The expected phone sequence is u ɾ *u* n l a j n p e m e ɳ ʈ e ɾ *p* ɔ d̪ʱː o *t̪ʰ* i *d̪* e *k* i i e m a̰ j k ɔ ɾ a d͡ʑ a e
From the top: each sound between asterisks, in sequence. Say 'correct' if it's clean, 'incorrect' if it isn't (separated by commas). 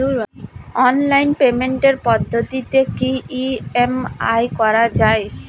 incorrect, correct, incorrect, incorrect, correct